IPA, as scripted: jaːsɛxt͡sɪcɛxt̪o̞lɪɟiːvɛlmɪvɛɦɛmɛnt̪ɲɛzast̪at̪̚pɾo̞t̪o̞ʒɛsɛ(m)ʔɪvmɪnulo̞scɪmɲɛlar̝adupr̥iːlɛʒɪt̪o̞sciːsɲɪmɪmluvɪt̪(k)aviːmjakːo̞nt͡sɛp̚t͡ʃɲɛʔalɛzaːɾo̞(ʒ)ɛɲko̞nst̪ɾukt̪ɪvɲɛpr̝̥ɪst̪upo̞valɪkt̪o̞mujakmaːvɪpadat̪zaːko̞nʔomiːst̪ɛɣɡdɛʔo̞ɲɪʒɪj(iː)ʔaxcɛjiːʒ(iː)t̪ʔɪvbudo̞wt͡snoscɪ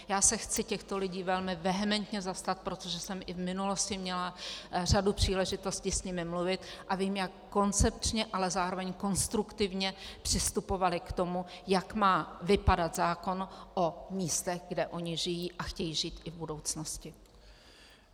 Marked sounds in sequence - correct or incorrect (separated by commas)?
correct, incorrect, incorrect, correct, correct